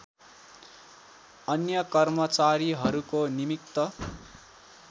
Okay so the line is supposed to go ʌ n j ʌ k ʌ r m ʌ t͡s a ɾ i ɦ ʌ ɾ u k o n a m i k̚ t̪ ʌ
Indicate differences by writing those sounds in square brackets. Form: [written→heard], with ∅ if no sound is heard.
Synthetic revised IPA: ʌ n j ʌ k ʌ r m ʌ t͡s a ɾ i ɦ ʌ ɾ u k o n [a→i] m i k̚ t̪ ʌ